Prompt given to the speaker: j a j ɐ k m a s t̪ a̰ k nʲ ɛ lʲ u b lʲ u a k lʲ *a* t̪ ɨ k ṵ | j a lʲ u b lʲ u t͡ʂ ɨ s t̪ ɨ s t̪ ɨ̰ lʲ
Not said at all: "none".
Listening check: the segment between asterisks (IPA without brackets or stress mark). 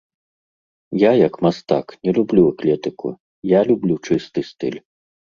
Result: ɛ